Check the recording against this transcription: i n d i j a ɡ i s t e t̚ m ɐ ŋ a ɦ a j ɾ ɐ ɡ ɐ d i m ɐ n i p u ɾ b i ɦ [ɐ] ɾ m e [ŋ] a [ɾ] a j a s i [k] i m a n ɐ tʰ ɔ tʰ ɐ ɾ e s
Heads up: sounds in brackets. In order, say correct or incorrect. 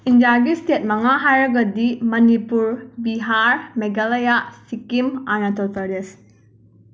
incorrect: a, incorrect: ɡ, incorrect: l, correct

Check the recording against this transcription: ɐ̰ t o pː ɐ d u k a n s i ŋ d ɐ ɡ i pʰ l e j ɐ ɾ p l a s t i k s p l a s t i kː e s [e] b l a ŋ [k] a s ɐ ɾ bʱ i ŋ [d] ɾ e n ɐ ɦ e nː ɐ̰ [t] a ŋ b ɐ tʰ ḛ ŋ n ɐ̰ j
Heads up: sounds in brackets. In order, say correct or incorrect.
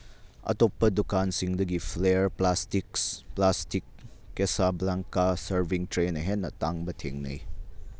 incorrect: a, correct, incorrect: t, correct

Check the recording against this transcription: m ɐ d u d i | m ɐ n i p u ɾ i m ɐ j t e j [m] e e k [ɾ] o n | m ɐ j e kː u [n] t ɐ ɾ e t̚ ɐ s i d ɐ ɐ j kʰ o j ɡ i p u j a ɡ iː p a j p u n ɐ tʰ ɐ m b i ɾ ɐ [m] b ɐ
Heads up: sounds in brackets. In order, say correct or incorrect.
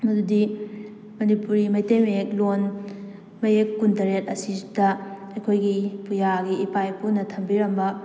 correct, incorrect: l, correct, correct

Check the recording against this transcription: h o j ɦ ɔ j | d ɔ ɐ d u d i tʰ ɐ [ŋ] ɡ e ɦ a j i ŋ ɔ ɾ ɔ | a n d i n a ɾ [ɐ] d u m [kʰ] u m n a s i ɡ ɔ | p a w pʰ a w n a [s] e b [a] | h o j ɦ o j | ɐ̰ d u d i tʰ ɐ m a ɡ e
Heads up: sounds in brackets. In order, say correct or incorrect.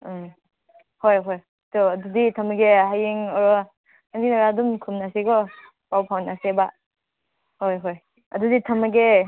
incorrect: m, incorrect: a, correct, correct, correct

